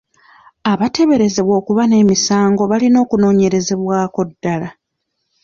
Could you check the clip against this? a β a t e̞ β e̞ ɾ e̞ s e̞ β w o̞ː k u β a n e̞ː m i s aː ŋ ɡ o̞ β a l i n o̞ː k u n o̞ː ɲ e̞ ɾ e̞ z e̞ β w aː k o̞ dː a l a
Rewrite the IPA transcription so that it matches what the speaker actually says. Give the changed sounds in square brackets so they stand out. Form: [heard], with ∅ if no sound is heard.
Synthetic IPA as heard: a β a t e̞ β e̞ ɾ e̞ [z] e̞ β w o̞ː k u β a n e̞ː m i s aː ŋ ɡ o̞ β a l i n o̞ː k u n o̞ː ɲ e̞ ɾ e̞ z e̞ β w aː k o̞ dː a l a